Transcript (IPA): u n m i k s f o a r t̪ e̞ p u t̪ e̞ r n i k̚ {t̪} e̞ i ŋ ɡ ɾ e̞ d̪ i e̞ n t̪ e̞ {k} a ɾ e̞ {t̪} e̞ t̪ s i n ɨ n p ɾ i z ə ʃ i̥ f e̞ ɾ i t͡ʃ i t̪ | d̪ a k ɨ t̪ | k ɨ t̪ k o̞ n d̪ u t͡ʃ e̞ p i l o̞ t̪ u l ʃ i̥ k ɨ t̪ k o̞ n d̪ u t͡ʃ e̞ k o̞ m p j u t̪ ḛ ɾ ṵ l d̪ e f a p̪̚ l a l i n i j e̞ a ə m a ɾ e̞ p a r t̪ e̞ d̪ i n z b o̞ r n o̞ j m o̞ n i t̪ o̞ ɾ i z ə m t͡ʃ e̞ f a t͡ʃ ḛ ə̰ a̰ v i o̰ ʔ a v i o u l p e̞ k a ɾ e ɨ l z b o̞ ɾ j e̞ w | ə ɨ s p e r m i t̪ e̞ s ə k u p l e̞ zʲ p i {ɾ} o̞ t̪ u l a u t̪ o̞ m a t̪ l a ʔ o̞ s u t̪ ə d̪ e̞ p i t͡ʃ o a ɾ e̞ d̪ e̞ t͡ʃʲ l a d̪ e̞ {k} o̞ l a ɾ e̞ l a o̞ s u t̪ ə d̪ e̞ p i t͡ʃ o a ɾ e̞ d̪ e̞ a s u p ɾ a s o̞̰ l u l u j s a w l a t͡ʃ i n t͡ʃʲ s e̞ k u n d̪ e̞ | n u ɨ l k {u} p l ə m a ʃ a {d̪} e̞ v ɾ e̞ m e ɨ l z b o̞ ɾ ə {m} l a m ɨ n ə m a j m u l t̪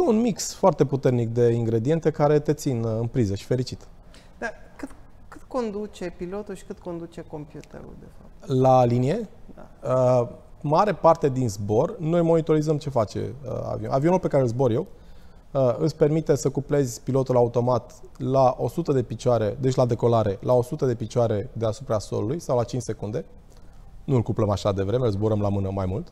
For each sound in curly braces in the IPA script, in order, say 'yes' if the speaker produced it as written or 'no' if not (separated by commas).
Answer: no, yes, yes, no, yes, yes, yes, yes